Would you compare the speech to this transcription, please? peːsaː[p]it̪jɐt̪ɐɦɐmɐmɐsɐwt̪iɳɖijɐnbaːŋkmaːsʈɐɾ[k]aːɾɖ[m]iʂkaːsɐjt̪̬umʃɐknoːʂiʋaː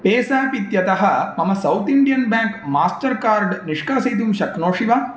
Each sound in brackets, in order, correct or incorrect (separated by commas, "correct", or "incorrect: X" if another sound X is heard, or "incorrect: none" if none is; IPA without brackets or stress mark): correct, correct, incorrect: n